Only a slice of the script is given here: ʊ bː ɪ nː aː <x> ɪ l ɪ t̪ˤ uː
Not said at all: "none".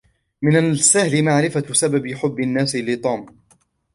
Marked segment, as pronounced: s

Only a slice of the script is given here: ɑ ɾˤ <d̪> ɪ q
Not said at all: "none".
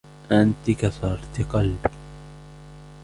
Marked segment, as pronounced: t̪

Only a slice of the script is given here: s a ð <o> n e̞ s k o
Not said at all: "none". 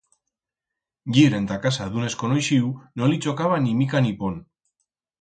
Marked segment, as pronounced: u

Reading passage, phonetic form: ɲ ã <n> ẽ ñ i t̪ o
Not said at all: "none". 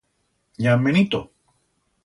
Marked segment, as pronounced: m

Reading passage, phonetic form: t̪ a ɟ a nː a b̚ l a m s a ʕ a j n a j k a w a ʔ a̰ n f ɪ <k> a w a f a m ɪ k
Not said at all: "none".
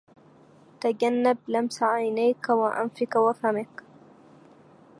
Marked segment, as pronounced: k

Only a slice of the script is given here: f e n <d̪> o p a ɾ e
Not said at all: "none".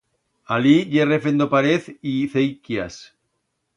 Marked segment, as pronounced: d̪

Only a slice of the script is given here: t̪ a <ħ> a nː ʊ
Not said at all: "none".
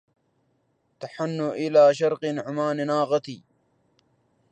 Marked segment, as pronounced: ħ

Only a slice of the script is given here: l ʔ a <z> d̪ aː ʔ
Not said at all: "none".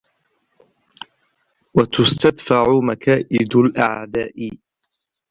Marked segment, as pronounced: ʕ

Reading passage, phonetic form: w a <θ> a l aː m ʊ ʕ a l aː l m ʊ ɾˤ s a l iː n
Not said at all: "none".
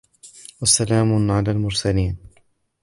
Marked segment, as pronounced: s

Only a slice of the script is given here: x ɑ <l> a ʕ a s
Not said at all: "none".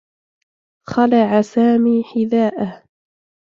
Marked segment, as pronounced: l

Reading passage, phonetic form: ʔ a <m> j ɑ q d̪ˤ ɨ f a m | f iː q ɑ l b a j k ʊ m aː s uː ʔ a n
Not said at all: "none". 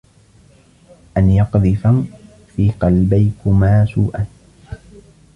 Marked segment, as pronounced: n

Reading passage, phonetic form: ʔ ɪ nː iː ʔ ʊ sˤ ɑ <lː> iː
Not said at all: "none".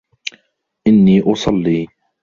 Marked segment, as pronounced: lː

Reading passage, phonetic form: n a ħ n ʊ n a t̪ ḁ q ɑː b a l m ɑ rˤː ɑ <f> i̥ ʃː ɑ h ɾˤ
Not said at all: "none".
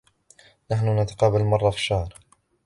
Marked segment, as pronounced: f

